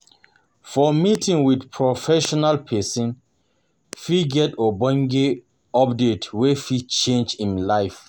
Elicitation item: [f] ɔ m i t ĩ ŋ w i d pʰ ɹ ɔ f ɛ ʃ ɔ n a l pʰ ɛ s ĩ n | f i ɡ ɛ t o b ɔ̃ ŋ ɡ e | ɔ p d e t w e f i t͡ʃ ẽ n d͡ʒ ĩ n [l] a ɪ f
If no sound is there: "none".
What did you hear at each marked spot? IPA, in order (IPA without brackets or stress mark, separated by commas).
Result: f, l